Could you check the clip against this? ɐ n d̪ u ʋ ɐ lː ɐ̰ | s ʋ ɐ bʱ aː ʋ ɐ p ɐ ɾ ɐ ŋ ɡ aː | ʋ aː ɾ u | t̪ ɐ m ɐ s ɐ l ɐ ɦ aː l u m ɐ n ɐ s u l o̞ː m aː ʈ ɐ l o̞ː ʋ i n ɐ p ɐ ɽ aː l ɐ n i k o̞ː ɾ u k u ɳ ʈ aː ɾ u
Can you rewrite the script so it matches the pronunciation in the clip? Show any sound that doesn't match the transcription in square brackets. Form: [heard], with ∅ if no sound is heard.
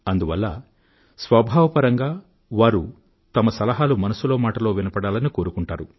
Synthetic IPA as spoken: ɐ n d̪ u ʋ ɐ lː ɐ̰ | s ʋ ɐ bʱ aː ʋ ɐ p ɐ ɾ ɐ ŋ ɡ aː | ʋ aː ɾ u | t̪ ɐ m ɐ s ɐ l ɐ ɦ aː l u m ɐ n ɐ s u l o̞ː m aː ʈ ɐ l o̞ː ʋ i n ɐ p ɐ ɽ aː l ɐ n i k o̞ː ɾ u k u ɳ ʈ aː ɾ u